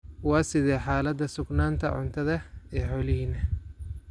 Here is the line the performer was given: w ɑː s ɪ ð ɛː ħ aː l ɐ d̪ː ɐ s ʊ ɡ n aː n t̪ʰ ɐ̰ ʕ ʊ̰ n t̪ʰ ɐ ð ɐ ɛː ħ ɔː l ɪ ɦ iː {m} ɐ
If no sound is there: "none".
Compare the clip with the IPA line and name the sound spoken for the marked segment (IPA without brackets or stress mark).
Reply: n